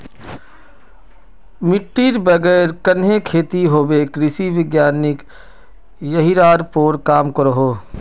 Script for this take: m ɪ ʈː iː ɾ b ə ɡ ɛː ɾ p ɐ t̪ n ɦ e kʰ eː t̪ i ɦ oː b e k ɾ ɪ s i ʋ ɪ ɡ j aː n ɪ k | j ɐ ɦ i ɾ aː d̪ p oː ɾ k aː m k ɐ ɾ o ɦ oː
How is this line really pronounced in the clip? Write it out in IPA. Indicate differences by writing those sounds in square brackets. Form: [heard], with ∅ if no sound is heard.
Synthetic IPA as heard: m ɪ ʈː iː ɾ b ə ɡ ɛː ɾ [k] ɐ [∅] n ɦ e kʰ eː t̪ i ɦ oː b e k ɾ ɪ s i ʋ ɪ ɡ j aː n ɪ k | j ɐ ɦ i ɾ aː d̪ p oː ɾ k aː m k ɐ ɾ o ɦ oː